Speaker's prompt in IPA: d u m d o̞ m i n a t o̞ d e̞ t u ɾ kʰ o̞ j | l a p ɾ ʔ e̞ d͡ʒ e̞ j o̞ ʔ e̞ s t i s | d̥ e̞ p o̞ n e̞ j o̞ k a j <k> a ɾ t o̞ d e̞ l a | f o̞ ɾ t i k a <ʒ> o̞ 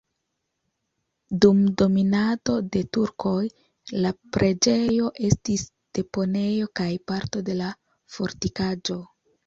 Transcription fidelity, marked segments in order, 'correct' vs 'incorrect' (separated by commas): incorrect, incorrect